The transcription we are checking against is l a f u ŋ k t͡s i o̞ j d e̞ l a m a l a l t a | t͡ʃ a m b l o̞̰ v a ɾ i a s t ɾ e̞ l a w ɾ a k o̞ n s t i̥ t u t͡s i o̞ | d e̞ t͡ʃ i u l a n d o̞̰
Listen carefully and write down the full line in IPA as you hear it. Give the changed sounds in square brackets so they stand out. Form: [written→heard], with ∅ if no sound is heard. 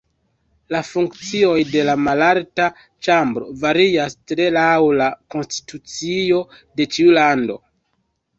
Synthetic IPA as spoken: l a f u ŋ k t͡s i o̞ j d e̞ l a m a l a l t a | t͡ʃ a m b [l→ɾ] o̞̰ v a ɾ i a s t ɾ e̞ l a w [ɾ→l] a k o̞ n s t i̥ t u t͡s i o̞ | d e̞ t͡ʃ i u l a n d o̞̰